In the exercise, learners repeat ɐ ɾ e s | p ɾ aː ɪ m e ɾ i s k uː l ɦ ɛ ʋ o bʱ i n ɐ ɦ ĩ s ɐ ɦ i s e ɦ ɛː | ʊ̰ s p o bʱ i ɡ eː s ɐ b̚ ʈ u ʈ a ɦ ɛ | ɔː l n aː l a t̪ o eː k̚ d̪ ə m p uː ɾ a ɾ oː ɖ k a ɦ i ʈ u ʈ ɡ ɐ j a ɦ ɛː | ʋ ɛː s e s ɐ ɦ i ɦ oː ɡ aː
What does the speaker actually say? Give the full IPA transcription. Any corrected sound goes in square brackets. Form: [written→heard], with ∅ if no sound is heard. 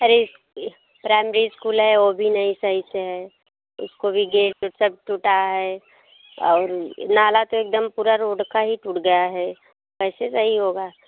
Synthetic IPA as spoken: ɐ ɾ e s | p ɾ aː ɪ m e ɾ i s k uː l ɦ ɛ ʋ o bʱ i n ɐ ɦ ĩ s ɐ ɦ i s e ɦ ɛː | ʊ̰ s [p→k] o bʱ i ɡ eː s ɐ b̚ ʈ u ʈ a ɦ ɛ | ɔː [l→ɾ] n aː l a t̪ o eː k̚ d̪ ə m p uː ɾ a ɾ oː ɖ k a ɦ i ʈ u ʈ ɡ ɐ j a ɦ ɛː | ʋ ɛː s e s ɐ ɦ i ɦ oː ɡ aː